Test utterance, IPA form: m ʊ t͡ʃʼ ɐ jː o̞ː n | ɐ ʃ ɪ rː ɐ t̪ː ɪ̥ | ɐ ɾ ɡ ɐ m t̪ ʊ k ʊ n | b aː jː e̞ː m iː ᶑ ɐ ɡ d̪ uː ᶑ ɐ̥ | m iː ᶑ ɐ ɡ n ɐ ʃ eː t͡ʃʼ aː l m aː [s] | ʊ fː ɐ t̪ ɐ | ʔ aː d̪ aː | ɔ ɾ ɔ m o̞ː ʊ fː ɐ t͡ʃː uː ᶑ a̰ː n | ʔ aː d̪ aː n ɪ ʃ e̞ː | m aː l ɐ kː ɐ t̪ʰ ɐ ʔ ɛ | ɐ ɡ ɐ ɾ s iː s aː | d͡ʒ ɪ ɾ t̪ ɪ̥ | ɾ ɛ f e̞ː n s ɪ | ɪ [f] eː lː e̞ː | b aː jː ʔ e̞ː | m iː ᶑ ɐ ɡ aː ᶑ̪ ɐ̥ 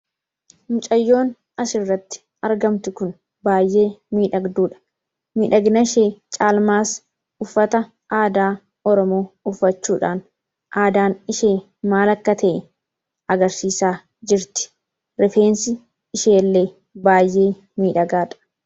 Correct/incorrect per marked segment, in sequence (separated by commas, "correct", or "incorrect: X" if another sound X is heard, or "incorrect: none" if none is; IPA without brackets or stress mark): correct, incorrect: ʃ